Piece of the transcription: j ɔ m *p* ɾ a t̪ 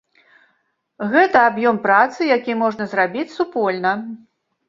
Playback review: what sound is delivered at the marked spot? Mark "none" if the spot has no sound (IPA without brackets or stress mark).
p